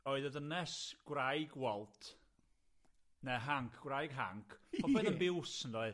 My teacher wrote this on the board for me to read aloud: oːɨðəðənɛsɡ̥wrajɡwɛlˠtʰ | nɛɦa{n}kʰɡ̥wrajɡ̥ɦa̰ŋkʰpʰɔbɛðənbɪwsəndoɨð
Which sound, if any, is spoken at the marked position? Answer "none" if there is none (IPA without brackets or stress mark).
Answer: ŋ